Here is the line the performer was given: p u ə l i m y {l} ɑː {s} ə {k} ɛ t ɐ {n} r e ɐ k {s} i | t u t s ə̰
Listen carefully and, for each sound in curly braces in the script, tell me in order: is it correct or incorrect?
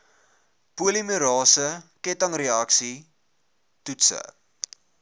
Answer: incorrect, correct, correct, incorrect, correct

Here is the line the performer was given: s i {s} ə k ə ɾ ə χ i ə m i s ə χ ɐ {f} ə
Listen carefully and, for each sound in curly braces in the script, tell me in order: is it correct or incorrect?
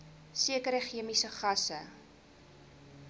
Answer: incorrect, incorrect

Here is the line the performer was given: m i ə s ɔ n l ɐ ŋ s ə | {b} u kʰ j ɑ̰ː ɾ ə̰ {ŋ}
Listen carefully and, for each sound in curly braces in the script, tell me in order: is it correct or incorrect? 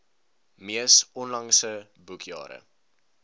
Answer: correct, incorrect

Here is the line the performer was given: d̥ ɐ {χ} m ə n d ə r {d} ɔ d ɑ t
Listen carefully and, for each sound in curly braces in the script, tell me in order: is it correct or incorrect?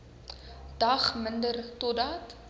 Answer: correct, incorrect

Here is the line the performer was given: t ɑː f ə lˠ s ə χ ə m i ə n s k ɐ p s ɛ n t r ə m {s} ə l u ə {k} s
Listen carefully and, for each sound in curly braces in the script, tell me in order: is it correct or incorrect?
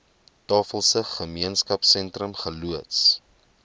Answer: incorrect, incorrect

